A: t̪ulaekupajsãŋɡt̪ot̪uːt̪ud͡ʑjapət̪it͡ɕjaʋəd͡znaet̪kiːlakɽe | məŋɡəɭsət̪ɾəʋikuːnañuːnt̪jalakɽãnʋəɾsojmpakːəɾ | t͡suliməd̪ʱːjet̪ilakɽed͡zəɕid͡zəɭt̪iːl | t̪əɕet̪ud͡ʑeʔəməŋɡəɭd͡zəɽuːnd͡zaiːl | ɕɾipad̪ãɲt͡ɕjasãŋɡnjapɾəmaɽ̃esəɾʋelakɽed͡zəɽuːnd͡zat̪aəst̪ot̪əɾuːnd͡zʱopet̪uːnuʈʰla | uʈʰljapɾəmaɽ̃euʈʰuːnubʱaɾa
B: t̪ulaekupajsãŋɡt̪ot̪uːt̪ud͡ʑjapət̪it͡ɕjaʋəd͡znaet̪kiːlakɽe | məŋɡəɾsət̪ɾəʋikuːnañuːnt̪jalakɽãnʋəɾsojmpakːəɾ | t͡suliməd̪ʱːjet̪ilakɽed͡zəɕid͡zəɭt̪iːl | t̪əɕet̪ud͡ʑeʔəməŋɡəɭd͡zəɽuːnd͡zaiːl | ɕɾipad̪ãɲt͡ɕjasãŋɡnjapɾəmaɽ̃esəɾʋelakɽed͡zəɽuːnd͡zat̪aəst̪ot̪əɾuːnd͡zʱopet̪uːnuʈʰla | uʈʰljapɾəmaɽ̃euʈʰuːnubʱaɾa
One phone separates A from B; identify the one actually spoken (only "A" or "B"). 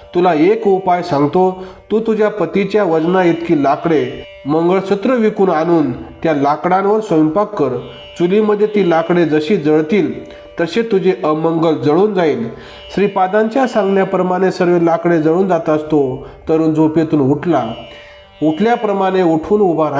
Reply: A